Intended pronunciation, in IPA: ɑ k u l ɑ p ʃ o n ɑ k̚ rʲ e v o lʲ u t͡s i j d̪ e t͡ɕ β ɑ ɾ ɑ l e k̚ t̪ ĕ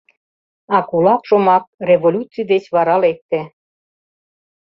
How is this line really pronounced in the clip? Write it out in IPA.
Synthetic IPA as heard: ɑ k u l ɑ p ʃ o m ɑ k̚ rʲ e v o lʲ u t͡s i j d̪ e t͡ɕ β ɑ ɾ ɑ l e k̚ t̪ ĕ